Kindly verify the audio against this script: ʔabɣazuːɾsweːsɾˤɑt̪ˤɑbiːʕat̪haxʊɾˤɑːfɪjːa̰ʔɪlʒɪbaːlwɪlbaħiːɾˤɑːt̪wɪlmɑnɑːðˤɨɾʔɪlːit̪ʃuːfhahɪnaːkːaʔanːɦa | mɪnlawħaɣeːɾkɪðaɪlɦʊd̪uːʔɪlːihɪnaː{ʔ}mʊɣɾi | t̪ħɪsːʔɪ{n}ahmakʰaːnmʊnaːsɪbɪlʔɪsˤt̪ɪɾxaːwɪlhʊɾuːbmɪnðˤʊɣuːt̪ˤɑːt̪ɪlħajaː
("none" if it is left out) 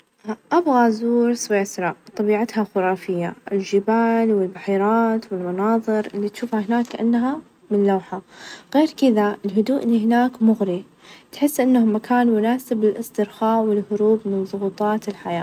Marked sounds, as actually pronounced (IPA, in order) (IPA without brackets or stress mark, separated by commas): k, nː